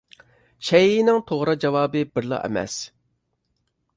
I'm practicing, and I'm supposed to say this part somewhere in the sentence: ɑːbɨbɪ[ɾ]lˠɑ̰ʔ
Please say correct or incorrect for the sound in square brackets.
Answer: correct